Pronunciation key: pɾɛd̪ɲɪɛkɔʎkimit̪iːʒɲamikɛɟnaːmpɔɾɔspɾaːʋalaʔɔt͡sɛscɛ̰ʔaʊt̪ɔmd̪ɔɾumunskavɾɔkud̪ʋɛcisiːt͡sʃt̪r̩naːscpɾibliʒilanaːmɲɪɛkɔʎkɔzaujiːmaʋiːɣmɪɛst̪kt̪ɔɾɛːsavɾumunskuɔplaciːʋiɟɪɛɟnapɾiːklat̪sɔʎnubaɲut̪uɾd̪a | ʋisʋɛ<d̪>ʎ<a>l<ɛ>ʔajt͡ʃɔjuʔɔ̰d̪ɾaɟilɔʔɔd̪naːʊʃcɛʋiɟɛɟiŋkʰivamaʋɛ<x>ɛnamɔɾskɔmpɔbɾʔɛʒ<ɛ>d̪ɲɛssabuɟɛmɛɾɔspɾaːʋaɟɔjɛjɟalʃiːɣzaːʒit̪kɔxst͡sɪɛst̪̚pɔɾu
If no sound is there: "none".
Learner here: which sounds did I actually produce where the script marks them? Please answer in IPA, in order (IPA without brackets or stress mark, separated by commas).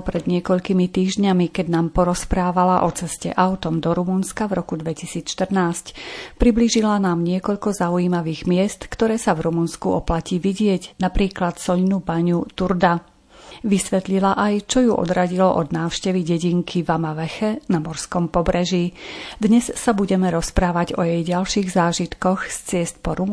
t̪, i, a, x, i